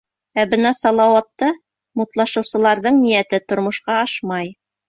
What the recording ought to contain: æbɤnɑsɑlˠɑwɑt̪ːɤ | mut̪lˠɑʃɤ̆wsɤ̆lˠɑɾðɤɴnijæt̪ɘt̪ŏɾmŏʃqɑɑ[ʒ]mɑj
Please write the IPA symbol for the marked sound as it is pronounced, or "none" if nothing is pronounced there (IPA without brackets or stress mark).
ʃ